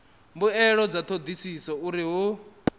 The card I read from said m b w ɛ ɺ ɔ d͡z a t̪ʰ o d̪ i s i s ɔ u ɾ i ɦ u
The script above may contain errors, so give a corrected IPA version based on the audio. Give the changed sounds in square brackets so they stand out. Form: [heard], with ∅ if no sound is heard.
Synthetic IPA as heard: m b [u] ɛ ɺ ɔ d͡z a t̪ʰ o d̪ i s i s ɔ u ɾ i ɦ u